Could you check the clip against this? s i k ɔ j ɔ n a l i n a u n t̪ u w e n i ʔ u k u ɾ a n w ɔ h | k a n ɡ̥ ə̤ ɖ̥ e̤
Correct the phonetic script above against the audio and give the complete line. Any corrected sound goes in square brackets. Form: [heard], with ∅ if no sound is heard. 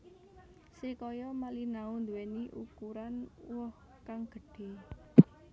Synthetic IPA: s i k ɔ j ɔ [m] a l i n a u n [d̪] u w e n i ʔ u k u ɾ a n w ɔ h | k a [ŋ] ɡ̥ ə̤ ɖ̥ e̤